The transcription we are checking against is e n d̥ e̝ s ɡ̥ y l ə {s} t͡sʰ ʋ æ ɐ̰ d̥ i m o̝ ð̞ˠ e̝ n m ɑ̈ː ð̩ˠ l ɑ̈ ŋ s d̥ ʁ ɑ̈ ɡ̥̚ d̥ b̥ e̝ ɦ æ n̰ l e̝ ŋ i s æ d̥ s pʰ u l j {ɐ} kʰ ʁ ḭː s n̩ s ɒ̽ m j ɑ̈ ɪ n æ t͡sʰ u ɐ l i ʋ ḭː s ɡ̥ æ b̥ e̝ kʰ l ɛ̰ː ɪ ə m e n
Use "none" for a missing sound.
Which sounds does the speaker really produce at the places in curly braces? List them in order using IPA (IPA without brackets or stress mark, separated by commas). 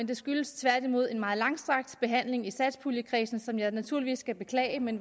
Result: s, ə